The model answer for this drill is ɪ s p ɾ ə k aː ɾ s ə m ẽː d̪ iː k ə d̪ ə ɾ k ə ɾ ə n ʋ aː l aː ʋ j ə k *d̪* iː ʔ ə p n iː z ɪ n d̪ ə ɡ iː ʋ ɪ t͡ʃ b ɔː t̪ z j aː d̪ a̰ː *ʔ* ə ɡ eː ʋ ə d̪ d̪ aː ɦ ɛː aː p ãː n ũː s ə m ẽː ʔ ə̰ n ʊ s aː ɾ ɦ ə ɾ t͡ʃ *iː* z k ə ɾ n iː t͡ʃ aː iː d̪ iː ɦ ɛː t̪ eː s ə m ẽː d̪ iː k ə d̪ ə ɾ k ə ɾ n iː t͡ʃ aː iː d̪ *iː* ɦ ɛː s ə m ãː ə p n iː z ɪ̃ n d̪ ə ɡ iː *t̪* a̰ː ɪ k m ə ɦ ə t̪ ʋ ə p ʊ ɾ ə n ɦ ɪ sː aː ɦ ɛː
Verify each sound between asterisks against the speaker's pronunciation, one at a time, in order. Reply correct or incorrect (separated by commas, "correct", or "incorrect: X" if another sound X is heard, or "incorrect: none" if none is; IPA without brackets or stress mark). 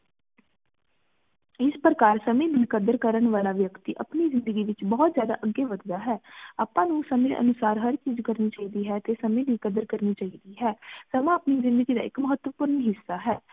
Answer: incorrect: t̪, correct, correct, correct, incorrect: d̪